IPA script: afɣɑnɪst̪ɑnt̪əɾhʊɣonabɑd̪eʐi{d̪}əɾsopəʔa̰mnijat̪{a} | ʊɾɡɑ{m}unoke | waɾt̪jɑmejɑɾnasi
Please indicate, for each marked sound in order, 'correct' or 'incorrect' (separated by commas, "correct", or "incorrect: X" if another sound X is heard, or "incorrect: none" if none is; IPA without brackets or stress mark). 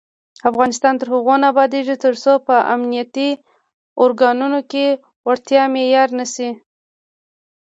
incorrect: t̪, incorrect: i, incorrect: n